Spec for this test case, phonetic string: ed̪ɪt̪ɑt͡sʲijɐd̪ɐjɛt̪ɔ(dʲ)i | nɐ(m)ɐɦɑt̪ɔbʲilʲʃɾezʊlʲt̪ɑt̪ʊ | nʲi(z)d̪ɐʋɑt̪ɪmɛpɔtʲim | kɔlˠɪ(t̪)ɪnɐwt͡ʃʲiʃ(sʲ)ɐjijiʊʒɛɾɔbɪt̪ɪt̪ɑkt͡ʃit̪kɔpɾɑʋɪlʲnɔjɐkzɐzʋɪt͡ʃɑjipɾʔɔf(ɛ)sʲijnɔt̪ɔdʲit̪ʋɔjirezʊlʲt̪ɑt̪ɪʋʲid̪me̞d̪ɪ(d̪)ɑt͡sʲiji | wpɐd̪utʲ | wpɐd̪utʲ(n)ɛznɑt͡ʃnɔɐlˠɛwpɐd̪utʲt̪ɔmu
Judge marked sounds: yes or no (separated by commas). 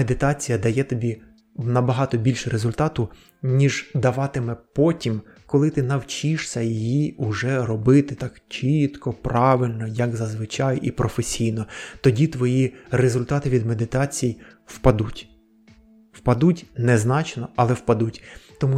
no, no, no, yes, yes, no, no, yes